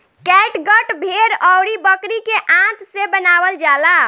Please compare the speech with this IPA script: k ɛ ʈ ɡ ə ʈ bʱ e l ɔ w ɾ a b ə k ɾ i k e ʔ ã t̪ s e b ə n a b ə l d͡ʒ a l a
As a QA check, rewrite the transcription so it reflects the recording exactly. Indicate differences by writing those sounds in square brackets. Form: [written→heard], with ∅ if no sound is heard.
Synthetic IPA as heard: k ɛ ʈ ɡ ə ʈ bʱ e [l→ɾ] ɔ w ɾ [a→i] b ə k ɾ i k e ʔ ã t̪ s e b ə n a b ə l d͡ʒ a l a